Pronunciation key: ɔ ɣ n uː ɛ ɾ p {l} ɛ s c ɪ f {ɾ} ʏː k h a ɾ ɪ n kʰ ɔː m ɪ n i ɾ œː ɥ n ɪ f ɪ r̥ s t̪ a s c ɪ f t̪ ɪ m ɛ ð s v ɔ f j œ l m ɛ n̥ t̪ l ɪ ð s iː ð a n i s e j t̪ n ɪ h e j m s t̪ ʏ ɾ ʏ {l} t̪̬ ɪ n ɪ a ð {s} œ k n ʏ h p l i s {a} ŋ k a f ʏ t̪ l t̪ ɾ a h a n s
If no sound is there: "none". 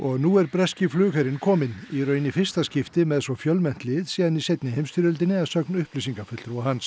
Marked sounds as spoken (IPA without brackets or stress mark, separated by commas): ɾ, l, l, s, i